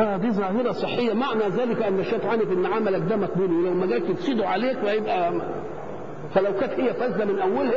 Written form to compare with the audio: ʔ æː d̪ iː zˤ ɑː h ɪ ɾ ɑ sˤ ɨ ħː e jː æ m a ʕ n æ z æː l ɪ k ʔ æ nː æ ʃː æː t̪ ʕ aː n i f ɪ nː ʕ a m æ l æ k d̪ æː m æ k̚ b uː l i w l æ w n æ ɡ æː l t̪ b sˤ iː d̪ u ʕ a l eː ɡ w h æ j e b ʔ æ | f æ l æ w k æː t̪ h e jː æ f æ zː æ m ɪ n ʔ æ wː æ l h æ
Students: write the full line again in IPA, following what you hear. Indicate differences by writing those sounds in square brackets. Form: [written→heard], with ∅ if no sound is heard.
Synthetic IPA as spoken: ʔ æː d̪ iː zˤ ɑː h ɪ ɾ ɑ sˤ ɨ ħː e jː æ m a ʕ n æ z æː l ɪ k ʔ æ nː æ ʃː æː t̪ ʕ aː n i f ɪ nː ʕ a m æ l æ k d̪ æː m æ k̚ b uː l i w l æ w [n→m] æ ɡ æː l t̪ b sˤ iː d̪ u ʕ a l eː [ɡ→k] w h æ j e b ʔ æ | f æ l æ w k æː t̪ h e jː æ f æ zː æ m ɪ n ʔ æ wː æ l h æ